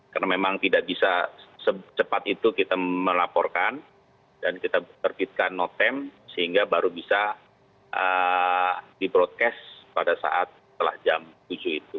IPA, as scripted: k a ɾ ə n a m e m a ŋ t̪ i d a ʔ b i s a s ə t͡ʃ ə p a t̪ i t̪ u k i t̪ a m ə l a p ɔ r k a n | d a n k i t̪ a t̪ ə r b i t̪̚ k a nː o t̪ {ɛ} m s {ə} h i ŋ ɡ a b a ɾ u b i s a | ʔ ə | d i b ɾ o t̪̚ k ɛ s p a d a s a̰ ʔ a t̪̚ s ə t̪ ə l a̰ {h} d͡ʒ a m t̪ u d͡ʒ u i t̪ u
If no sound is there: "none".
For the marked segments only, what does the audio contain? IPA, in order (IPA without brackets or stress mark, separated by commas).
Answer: ɛ, ə, h